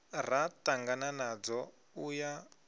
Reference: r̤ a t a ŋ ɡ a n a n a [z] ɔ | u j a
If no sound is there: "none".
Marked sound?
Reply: d͡z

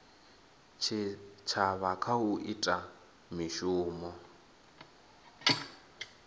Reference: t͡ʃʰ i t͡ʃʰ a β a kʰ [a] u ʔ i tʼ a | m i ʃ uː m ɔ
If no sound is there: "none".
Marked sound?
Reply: a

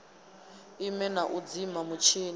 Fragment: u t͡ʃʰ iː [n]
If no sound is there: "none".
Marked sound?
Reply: n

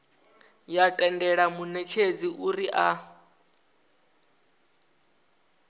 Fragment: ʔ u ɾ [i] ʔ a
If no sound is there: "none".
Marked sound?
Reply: i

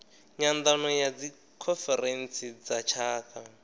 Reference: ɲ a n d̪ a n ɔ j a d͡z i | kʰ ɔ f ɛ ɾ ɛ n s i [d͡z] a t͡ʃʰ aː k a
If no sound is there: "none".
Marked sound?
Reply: d͡z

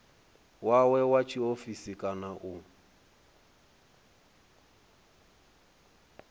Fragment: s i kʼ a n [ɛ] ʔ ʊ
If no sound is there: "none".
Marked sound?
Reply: a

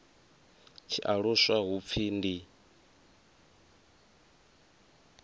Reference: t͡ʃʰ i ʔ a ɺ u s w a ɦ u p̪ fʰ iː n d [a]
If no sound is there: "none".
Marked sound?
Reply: i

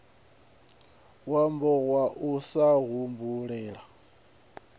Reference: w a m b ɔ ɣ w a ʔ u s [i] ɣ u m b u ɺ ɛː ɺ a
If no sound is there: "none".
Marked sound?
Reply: a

